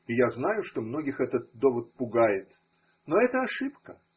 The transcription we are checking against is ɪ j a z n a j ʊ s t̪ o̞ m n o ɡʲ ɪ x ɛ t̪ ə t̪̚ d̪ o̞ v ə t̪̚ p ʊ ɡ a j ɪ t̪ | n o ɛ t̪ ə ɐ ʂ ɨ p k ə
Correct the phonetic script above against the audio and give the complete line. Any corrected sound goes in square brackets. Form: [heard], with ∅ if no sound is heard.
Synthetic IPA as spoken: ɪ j a z n a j ʊ [ʂ] t̪ o̞ m n o ɡʲ ɪ x ɛ t̪ ə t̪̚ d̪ o̞ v ə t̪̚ p ʊ ɡ a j ɪ t̪ | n o ɛ t̪ ə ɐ ʂ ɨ p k ə